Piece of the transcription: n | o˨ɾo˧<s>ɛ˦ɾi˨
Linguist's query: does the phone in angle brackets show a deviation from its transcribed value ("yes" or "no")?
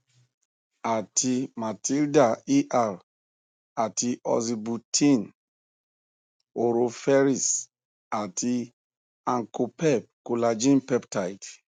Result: yes